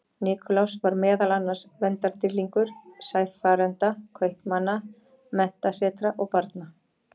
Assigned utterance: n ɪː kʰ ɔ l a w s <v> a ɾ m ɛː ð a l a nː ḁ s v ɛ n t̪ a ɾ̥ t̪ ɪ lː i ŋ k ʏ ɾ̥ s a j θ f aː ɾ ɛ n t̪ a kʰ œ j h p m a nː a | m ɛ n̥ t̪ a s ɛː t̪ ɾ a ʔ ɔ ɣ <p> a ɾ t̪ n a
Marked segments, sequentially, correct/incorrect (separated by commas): correct, correct